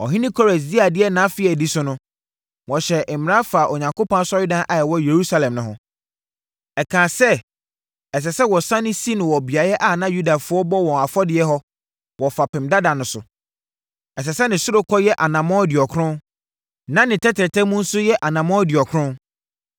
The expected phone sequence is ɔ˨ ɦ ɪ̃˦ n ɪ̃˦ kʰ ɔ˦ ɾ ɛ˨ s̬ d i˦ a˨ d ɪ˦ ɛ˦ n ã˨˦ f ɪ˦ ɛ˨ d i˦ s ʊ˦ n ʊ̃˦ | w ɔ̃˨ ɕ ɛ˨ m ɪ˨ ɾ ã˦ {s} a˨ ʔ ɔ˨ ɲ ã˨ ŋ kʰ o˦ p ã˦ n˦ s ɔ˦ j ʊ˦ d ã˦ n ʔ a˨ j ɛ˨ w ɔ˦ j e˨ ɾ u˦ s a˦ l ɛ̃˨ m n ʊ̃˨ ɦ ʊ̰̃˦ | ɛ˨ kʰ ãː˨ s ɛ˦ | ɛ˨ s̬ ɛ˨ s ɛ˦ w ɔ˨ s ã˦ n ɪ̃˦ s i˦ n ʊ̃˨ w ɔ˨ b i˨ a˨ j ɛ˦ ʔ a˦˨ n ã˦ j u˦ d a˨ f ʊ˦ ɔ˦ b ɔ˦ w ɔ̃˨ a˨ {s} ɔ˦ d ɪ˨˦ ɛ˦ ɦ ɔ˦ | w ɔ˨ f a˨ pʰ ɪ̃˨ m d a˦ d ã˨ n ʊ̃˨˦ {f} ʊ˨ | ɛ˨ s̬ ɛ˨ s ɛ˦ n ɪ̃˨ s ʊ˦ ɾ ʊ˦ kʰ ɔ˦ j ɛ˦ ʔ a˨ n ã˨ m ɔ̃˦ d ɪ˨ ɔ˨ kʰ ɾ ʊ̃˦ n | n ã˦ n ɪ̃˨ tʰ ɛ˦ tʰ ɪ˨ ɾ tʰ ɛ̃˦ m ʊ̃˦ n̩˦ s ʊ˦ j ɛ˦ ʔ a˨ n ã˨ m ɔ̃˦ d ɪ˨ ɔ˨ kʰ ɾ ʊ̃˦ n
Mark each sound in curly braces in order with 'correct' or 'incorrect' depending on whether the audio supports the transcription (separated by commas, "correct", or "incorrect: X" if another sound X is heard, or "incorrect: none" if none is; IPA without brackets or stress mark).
incorrect: f, incorrect: f, incorrect: s